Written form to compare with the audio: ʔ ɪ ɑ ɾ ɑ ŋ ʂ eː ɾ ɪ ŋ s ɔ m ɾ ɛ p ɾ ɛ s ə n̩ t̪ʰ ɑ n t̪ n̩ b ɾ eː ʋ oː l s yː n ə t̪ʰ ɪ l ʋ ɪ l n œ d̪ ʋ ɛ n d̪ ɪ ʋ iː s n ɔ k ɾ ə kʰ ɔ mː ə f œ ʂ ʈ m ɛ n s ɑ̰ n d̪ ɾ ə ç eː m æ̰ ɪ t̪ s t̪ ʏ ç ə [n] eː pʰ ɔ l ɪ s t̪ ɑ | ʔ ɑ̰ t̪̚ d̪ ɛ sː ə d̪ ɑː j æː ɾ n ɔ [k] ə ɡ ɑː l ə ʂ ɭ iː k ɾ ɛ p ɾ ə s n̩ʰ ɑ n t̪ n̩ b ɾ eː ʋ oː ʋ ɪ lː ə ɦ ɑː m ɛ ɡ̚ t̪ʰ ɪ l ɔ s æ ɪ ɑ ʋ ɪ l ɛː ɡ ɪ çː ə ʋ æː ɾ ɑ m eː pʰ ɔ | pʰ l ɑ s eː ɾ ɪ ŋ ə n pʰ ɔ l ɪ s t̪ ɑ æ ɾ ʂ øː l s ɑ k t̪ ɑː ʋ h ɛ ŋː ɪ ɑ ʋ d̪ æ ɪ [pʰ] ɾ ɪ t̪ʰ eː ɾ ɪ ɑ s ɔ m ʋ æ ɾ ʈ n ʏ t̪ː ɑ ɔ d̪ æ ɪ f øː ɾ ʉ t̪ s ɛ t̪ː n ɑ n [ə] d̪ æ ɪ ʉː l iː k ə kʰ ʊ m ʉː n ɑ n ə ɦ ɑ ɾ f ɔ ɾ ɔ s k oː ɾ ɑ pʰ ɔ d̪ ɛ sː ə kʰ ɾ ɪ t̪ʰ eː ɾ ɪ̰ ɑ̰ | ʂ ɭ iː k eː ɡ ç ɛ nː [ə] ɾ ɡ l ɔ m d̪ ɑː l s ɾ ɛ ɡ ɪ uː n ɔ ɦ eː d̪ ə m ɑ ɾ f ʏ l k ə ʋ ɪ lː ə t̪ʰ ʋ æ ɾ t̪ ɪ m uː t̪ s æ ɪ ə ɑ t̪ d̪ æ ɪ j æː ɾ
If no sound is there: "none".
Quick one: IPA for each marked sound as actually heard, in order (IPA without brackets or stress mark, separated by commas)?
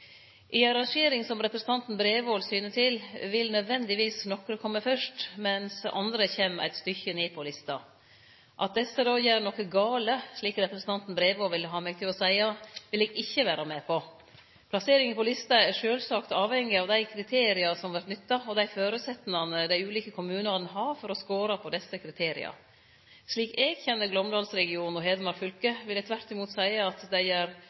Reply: n, k, kʰ, ə, ə